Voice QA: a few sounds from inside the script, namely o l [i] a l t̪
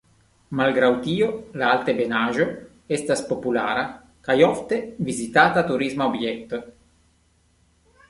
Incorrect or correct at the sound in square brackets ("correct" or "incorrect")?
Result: incorrect